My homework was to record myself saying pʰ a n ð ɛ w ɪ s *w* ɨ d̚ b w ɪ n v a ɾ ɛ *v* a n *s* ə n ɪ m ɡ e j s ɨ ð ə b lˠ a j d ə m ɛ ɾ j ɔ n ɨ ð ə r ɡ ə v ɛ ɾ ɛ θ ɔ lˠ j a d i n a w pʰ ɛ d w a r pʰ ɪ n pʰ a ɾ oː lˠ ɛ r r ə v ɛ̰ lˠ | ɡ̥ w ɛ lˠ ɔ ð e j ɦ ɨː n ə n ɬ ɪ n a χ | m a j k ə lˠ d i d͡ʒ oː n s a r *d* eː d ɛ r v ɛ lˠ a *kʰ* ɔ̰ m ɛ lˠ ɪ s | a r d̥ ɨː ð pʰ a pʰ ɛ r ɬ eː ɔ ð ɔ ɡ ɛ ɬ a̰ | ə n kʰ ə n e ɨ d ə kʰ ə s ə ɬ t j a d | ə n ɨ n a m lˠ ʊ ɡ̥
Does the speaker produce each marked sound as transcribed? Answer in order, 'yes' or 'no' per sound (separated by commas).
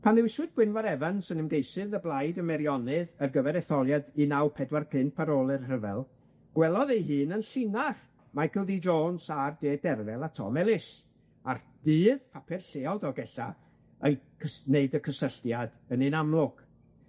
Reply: yes, yes, yes, yes, no